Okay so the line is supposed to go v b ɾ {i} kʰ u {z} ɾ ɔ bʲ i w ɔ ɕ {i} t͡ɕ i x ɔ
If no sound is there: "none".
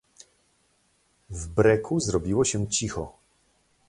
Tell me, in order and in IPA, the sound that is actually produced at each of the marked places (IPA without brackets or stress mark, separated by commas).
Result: ɛ, z, ɛ